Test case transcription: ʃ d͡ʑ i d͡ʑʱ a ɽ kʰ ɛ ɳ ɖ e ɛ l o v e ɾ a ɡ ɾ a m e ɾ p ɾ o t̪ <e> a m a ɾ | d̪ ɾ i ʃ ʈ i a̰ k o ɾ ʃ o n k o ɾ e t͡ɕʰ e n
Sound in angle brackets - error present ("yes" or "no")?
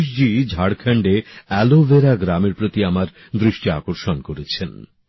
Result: yes